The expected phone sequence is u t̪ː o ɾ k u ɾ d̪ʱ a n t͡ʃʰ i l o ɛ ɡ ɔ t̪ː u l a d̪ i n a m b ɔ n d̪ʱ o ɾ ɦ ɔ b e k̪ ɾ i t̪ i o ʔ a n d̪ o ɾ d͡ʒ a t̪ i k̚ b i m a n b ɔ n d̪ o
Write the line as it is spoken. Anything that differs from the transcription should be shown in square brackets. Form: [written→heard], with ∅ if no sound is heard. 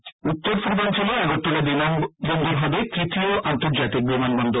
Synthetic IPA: u t̪ː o ɾ [k→p] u ɾ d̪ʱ a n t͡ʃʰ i l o ɛ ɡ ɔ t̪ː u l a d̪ i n a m b ɔ n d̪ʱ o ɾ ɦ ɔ b e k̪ ɾ i t̪ i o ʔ a n [d̪→t̪] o ɾ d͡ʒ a t̪ i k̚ b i m a n b ɔ n d̪ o